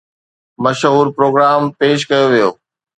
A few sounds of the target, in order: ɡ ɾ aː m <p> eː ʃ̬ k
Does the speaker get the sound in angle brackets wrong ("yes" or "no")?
no